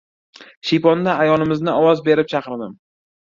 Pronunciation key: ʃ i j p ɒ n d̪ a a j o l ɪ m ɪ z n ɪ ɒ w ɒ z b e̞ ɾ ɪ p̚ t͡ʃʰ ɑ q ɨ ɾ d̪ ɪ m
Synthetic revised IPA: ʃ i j p ɒ n d̪ a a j ɒ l ɪ m ɪ z n ɪ ɒ w ɒ z b e̞ ɾ ɪ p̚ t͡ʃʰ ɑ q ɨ ɾ d̪ ɪ m